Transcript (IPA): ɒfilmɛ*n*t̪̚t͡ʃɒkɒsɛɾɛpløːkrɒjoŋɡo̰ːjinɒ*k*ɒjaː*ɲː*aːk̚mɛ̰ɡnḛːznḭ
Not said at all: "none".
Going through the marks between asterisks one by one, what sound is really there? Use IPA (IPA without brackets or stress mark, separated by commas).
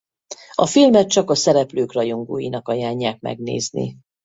none, k, ɲː